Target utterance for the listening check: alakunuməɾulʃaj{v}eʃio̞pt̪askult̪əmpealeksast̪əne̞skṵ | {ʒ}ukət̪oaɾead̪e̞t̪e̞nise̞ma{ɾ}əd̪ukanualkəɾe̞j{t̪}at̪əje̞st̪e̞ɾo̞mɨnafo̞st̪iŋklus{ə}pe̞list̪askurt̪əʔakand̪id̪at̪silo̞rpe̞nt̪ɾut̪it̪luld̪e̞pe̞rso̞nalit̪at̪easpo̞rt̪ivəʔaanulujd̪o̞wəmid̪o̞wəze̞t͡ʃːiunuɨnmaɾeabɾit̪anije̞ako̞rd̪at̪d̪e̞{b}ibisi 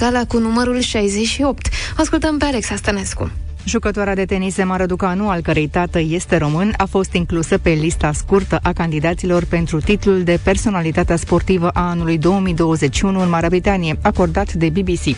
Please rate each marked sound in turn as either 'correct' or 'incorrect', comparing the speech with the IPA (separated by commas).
incorrect, correct, correct, correct, correct, correct